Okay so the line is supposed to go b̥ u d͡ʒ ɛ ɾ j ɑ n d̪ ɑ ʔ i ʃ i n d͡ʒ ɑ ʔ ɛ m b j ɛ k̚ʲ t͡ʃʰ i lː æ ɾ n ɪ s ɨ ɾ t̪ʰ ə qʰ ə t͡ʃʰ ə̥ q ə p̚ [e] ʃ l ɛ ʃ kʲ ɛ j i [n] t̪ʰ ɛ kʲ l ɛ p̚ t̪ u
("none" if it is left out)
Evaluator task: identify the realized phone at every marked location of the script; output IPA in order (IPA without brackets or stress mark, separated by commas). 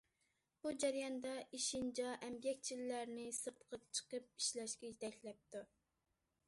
i, none